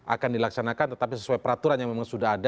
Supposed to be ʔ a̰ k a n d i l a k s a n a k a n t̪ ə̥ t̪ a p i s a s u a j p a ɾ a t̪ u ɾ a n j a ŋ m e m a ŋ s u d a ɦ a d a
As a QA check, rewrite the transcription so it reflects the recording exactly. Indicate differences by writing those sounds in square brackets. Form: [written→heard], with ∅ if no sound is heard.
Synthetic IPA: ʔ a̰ k a n d i l a k s a n a k a n t̪ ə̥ t̪ a p i s [a→ə] s u a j p [a→ə] ɾ a t̪ u ɾ a n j a ŋ m e m a ŋ s u d a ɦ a d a

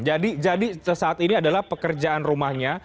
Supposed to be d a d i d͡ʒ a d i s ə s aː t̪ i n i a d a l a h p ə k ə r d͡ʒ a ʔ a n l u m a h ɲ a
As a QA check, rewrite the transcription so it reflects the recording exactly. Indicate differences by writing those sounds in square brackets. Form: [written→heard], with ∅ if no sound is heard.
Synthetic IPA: [d→d͡ʒ] a d i d͡ʒ a d i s ə s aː t̪ i n i a d a l a h p ə k ə r d͡ʒ a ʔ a n [l→r] u m a h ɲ a

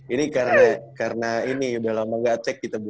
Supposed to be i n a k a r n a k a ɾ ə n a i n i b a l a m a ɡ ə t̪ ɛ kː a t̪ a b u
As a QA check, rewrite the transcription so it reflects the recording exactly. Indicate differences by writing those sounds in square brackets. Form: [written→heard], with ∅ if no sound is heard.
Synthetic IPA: i n [a→i] k a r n a k a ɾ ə n a i n i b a l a m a ɡ [ə→a] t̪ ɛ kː [a→i] t̪ a b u

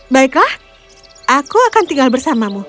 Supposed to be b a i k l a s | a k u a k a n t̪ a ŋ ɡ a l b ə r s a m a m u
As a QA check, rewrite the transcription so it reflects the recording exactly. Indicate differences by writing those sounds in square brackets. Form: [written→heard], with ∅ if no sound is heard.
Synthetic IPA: b a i k l a [s→h] | a k u a k a n t̪ [a→i] ŋ ɡ a l b ə r s a m a m u

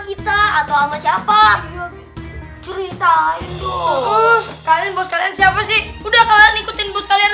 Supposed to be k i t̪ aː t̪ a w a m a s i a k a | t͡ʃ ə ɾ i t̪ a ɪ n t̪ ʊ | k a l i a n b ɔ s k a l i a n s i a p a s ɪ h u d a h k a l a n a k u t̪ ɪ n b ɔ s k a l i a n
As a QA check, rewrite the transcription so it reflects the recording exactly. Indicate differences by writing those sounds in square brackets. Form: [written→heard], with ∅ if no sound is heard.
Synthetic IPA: k i t̪ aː t̪ a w a m a s i a [k→p] a | t͡ʃ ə ɾ i t̪ a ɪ n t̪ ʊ | k a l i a n b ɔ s k a l i a n s i a p a s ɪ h u d a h k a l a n [a→i] k u t̪ ɪ n b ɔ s k a l i a n

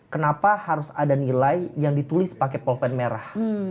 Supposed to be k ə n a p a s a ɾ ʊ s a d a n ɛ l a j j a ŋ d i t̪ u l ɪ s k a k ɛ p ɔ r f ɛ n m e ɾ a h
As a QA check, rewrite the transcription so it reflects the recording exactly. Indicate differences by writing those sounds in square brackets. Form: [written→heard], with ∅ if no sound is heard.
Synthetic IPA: k ə n a p a [s→h] a ɾ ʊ s a d a n [ɛ→i] l a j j a ŋ d i t̪ u l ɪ s [k→p] a k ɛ p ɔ [r→l] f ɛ n m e ɾ a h

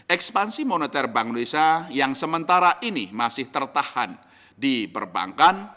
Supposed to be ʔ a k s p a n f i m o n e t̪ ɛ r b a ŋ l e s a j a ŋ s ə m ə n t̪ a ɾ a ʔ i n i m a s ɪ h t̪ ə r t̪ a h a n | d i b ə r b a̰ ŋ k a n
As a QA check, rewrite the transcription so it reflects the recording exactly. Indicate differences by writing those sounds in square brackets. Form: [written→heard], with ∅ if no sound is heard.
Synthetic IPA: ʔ [a→ɛ] k s p a n [f→s] i m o n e t̪ ɛ r b a ŋ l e s a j a ŋ s ə m ə n t̪ a ɾ a ʔ i n i m a s ɪ h t̪ ə r t̪ a h a n | d i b ə r b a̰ ŋ k a n

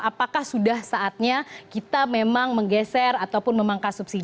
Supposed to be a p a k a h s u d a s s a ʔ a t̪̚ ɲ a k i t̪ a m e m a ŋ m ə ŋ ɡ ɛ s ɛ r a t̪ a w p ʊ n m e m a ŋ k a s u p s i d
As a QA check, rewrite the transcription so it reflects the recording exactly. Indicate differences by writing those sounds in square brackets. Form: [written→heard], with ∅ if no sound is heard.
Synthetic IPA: a p a k a h s u d a [s→h] s a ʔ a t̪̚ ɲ a k i t̪ a m e m a ŋ m ə ŋ ɡ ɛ s ɛ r a t̪ a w p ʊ n m e m a ŋ k a s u p s i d

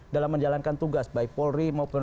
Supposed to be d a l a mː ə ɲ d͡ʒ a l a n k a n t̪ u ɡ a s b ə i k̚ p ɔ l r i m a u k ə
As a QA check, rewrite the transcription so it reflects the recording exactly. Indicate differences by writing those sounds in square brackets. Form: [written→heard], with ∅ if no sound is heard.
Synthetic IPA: d a l a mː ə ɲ d͡ʒ a l a n k a n t̪ u ɡ a s b [ə→a] i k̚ p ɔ l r i m a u [k→p] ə

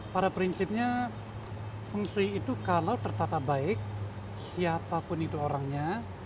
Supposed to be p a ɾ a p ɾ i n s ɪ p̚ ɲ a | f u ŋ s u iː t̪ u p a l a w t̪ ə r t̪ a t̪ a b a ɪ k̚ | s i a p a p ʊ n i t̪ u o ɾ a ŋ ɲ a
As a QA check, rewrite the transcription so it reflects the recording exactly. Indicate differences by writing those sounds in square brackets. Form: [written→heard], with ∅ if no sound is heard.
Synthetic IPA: p a ɾ a p ɾ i n s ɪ p̚ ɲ a | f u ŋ s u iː t̪ u [p→k] a l a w t̪ ə r t̪ a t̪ a b a ɪ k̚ | s i a p a p ʊ n i t̪ u o ɾ a ŋ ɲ a

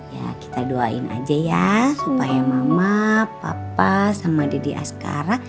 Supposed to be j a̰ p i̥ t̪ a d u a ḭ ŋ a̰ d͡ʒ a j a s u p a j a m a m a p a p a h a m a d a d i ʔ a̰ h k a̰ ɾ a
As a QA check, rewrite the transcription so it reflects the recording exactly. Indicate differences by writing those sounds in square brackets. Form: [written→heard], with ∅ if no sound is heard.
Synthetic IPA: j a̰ [p→k] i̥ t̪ a d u a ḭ [ŋ→n] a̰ d͡ʒ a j a s u p a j a m a m a p a p a [h→s] a m a d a d i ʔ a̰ [h→s] k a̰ ɾ a

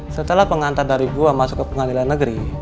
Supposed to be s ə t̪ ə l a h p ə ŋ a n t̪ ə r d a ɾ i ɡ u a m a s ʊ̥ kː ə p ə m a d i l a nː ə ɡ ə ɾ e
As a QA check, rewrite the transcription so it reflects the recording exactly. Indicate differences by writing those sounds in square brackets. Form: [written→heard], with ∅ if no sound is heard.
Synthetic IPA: s ə t̪ ə l a h p ə ŋ a n t̪ [ə→a] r d a ɾ i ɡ u a m a s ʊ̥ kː ə p ə [m→ŋ] a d i l a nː ə ɡ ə ɾ [e→i]

